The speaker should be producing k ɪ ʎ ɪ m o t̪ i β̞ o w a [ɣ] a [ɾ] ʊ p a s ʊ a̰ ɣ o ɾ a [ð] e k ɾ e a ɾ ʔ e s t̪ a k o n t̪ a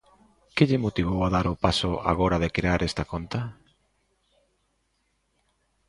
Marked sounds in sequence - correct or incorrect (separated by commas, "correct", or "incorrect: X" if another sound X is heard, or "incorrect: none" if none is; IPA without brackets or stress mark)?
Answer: incorrect: ð, correct, correct